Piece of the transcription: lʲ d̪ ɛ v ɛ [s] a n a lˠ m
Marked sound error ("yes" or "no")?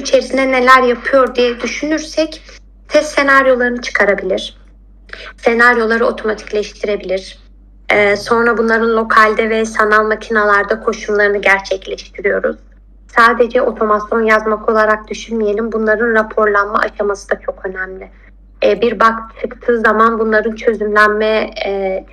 no